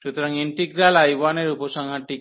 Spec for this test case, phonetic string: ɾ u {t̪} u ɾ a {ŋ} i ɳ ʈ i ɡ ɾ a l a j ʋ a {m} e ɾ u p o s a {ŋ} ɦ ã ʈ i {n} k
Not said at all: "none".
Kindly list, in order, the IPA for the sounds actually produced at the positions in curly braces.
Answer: t̪, ŋ, n, ŋ, none

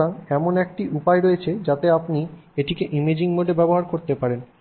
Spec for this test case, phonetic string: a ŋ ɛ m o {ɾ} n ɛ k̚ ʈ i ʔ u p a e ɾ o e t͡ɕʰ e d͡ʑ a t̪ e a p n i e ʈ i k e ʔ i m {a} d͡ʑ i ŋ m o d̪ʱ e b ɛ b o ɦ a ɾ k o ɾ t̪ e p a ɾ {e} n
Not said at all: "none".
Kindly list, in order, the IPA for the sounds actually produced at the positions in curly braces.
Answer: none, e, e

